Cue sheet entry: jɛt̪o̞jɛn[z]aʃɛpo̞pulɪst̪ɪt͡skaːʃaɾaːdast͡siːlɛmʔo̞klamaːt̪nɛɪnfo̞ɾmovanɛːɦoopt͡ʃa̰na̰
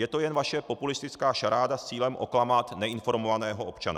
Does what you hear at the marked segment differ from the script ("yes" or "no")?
yes